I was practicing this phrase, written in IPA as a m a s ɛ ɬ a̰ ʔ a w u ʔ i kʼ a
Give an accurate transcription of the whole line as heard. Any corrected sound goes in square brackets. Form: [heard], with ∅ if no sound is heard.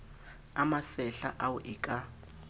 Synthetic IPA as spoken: a m a s ɛ ɬ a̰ ʔ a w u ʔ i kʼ a